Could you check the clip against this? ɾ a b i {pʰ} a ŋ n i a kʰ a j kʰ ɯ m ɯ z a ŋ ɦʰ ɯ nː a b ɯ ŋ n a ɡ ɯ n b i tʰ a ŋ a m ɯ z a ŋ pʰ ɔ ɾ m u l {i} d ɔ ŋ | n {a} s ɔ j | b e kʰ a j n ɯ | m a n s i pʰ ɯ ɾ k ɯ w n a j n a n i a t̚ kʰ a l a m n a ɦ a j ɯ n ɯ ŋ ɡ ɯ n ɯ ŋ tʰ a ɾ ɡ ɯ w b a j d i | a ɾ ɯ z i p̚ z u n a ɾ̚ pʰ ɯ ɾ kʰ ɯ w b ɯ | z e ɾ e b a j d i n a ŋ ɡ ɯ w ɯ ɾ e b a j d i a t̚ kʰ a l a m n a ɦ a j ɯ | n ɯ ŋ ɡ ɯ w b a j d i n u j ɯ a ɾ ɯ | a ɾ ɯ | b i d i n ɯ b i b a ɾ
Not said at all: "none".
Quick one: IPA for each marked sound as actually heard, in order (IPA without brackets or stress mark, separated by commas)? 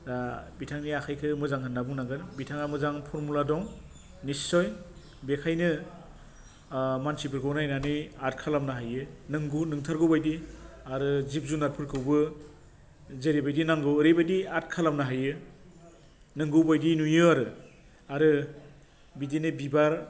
tʰ, a, i